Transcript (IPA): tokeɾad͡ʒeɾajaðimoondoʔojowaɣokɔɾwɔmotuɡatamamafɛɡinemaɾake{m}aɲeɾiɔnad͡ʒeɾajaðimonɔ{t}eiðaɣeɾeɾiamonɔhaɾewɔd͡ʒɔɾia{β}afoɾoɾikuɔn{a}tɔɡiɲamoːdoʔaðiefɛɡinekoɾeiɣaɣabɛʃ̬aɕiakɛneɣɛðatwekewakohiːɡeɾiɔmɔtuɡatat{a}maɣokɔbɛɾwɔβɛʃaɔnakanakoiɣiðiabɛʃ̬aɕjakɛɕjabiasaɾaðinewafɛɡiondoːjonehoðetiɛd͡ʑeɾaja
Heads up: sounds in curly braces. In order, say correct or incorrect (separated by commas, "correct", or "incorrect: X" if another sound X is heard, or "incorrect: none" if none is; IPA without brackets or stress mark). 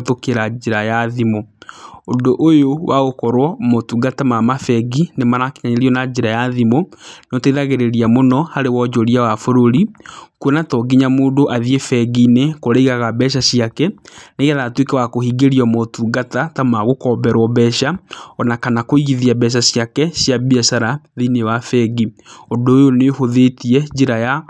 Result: incorrect: ɲ, correct, incorrect: w, correct, correct